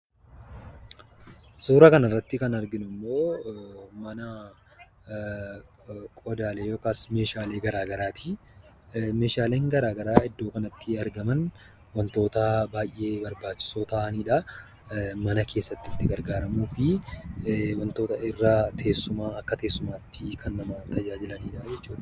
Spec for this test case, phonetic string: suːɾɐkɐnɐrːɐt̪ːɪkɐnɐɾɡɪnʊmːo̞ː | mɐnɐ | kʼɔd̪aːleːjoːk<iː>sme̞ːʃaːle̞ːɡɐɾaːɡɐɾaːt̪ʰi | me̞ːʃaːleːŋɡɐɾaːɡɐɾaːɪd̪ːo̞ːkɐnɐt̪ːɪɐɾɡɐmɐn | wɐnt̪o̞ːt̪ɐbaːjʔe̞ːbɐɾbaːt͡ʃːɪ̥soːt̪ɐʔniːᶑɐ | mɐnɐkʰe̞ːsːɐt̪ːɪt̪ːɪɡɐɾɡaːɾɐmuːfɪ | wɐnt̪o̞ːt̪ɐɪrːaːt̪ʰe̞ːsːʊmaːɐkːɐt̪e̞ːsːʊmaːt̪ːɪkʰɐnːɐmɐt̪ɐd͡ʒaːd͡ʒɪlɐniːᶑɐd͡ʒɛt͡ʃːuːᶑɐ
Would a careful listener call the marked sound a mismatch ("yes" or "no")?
yes